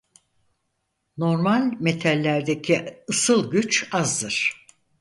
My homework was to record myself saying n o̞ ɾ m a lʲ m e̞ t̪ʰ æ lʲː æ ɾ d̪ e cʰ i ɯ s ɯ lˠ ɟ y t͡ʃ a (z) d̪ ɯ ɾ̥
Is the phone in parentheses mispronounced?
no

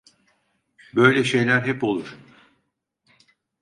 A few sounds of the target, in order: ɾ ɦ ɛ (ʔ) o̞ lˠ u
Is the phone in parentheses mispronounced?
yes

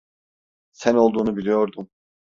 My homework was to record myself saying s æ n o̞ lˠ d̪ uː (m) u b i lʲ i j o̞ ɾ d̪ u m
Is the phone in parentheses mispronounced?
yes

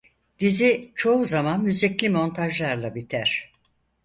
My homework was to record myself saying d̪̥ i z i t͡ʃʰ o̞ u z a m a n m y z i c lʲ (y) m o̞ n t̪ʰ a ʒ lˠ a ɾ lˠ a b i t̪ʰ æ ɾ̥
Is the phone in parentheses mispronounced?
yes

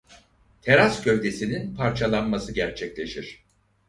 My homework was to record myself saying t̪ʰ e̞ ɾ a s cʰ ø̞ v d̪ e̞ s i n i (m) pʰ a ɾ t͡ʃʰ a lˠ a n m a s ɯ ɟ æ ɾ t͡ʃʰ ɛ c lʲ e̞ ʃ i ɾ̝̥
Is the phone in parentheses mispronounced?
yes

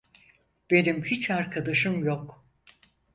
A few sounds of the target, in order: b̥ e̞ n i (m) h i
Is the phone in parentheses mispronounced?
no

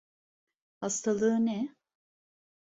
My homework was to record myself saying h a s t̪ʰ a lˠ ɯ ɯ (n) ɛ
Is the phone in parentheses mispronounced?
no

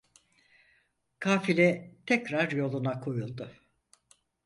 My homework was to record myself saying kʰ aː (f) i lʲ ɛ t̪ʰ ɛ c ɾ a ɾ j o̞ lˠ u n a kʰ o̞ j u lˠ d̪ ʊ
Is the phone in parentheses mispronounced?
no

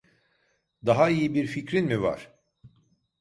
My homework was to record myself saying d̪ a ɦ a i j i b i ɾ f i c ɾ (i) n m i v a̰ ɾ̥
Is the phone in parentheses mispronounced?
no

